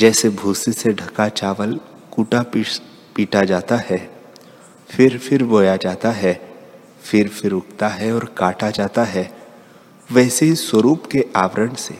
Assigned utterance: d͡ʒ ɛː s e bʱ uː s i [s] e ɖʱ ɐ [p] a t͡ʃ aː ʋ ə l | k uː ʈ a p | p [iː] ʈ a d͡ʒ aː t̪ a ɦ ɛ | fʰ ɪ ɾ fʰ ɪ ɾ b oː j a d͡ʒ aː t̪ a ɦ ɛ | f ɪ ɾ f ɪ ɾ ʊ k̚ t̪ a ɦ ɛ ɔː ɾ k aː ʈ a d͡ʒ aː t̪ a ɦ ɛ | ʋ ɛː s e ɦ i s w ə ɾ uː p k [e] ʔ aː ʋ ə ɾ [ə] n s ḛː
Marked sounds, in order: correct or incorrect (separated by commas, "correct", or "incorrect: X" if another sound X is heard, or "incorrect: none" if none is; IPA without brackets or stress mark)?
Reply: correct, incorrect: k, correct, correct, correct